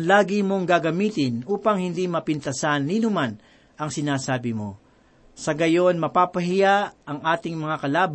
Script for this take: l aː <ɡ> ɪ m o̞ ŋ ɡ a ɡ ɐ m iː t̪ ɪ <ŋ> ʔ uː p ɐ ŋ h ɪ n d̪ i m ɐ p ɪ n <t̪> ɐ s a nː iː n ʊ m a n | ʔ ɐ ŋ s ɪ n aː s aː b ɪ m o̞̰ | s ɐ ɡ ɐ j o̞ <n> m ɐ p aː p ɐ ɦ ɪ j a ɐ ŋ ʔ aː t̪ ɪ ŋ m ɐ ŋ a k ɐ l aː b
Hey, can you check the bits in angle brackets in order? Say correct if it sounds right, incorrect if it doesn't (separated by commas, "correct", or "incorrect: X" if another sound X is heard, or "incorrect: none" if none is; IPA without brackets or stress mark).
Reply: correct, incorrect: n, correct, correct